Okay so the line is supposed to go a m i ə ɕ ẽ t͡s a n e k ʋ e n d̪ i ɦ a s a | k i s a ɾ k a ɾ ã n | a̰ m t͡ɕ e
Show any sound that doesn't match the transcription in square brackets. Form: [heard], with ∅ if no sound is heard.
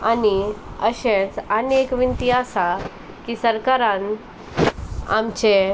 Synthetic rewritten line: a [n] i ə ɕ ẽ t͡s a n e k ʋ [i] n [t̪] i ɦ a s a | k i s [ə] ɾ k a ɾ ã n | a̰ m t͡ɕ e